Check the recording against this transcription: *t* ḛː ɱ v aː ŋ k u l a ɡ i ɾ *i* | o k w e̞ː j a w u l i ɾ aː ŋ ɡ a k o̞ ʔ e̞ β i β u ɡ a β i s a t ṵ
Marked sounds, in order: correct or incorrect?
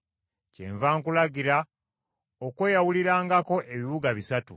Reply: incorrect: c, incorrect: a

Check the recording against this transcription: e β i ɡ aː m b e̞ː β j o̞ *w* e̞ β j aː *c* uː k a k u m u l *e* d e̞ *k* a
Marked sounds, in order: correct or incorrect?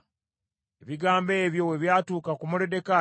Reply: correct, incorrect: t, correct, correct

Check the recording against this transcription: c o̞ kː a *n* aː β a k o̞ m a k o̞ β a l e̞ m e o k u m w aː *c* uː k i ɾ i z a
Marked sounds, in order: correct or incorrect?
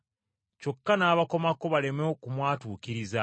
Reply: correct, incorrect: t

